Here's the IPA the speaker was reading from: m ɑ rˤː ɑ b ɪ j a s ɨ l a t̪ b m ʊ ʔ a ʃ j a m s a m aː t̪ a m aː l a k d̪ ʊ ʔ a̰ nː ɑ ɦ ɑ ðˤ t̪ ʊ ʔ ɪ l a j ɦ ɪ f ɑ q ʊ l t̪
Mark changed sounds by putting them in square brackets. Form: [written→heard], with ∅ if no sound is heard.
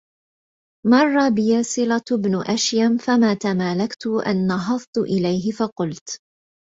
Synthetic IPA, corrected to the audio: m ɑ rˤː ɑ b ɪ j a s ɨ l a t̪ b [m→n] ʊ ʔ a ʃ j a m [s→f] a m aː t̪ a m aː l a k [d̪→t̪] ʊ ʔ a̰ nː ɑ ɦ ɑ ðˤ t̪ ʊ ʔ ɪ l a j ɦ ɪ f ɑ q ʊ l t̪

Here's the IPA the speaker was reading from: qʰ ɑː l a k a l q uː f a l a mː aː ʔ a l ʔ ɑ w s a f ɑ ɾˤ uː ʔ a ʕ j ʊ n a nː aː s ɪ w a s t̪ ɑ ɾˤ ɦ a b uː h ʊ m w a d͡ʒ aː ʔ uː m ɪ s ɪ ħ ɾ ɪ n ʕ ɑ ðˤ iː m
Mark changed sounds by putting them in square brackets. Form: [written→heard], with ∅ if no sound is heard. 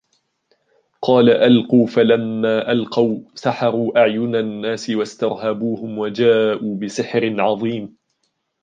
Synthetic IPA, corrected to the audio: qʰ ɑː l a [k→ʔ] a l q uː f a l a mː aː ʔ a l [ʔ→q] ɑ w s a [f→ħ] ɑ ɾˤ uː ʔ a ʕ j ʊ n a nː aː s ɪ w a s t̪ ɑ ɾˤ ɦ a b uː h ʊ m w a d͡ʒ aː ʔ uː [m→b] ɪ s ɪ ħ ɾ ɪ n ʕ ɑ ðˤ iː m

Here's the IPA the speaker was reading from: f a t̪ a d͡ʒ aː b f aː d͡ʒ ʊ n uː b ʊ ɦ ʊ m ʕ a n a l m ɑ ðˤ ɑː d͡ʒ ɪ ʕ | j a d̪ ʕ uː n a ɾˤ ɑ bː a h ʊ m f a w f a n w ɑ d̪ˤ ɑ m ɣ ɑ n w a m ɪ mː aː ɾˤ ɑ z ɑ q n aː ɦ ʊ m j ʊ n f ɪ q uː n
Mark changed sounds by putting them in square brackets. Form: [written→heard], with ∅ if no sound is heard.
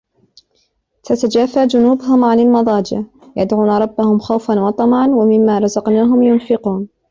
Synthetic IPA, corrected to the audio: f a t̪ a d͡ʒ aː [b→∅] f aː d͡ʒ ʊ n uː b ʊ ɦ ʊ m ʕ a n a l m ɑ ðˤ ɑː d͡ʒ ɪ ʕ | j a d̪ ʕ uː n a ɾˤ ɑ bː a h ʊ m [f→x] a w f a n w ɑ [d̪ˤ→t̪ˤ] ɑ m [ɣ→ʕ] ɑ n w a m ɪ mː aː ɾˤ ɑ z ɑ q n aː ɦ ʊ m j ʊ n f ɪ q uː n

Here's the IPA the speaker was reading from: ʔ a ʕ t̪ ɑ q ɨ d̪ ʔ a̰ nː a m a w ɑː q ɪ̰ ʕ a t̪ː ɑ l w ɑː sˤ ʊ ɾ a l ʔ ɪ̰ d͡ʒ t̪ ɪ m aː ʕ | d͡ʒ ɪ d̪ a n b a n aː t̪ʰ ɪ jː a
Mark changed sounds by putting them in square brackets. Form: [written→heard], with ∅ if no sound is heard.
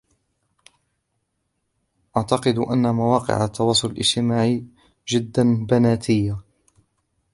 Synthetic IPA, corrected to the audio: ʔ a ʕ t̪ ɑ q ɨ d̪ ʔ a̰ nː a m a w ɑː q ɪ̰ ʕ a t̪ː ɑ [l→∅] w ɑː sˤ ʊ [ɾ→l] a l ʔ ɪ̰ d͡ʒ t̪ ɪ m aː ʕ | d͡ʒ ɪ [d̪→d̪ː] a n b a n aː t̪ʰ ɪ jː a

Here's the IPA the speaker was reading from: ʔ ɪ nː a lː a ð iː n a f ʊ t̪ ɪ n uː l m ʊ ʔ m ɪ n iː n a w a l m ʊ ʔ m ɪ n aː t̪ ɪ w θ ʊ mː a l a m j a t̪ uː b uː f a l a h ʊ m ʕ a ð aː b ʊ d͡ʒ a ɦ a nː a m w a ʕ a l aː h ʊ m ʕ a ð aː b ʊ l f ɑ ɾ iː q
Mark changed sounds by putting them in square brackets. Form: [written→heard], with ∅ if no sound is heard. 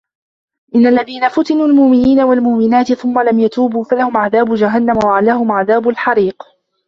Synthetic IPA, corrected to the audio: ʔ ɪ nː a lː a ð iː n a f ʊ t̪ ɪ n uː l m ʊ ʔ m ɪ n iː n a w a l m ʊ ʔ m ɪ n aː t̪ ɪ [w→∅] θ ʊ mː a l a m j a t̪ uː b uː f a l a h ʊ m ʕ a ð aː b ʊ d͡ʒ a ɦ a nː a m w a ʕ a l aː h ʊ m ʕ a ð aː b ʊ l [f→ħ] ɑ ɾ iː q

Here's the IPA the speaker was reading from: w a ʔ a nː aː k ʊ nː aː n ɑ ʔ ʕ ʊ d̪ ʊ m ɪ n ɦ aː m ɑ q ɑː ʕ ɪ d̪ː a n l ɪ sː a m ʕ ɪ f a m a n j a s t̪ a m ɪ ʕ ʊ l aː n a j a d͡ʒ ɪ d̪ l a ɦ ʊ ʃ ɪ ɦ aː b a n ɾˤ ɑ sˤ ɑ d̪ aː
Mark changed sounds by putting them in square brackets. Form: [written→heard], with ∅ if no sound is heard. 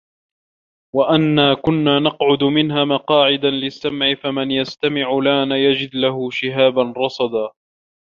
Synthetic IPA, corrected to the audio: w a ʔ a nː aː k ʊ nː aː n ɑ [ʔ→q] ʕ ʊ d̪ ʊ m ɪ n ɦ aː m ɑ q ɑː ʕ ɪ [d̪ː→d̪] a n l ɪ sː a m ʕ ɪ f a m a n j a s t̪ a m ɪ ʕ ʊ l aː n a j a d͡ʒ ɪ d̪ l a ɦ ʊ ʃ ɪ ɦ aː b a n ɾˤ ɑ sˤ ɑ d̪ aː

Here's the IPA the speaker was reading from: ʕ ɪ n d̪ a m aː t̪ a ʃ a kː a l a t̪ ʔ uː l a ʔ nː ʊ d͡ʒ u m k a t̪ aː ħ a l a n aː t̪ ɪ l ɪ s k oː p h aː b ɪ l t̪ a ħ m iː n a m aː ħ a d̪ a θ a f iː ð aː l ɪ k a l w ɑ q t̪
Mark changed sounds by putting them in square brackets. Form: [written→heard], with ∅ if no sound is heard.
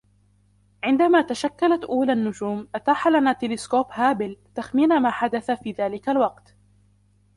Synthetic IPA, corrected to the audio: ʕ ɪ n d̪ a m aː t̪ a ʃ a kː a l a t̪ ʔ uː l a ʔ nː ʊ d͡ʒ [u→uː] m [k→ʔ] a t̪ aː ħ a l a n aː t̪ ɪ l ɪ s k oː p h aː b ɪ l t̪ a [ħ→x] m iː n a m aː ħ a d̪ a θ a f iː ð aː l ɪ k a l w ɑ q t̪

